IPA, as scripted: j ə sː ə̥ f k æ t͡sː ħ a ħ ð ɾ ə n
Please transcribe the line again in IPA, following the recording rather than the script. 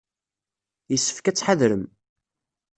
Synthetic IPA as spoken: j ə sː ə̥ f k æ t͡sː ħ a ð ɾ ə m